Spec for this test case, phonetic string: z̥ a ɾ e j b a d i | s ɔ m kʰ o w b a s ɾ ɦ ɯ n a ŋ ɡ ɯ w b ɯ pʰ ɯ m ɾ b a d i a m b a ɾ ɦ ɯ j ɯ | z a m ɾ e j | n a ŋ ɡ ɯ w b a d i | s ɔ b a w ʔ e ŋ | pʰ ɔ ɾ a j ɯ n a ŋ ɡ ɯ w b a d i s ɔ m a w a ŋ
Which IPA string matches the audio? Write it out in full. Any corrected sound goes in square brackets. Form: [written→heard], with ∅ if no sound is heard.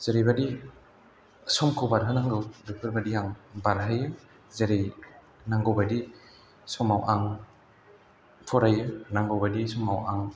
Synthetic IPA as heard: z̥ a ɾ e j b a d i | s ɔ m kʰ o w b a [s→∅] ɾ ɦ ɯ n a ŋ ɡ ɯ w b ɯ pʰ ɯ [m→∅] ɾ b a d i a [m→ŋ] b a ɾ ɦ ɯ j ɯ | z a [m→∅] ɾ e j | n a ŋ ɡ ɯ w b a d i | s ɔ [b→m] a w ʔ [e→a] ŋ | pʰ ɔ ɾ a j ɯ n a ŋ ɡ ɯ w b a d i s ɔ m a w a ŋ